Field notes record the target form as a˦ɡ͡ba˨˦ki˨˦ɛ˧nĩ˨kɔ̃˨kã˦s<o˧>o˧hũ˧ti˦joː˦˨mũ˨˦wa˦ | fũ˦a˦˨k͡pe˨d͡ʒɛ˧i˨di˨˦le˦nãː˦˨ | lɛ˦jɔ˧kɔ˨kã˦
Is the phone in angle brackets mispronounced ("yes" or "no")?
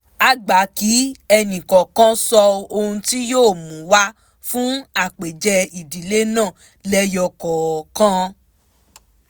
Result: yes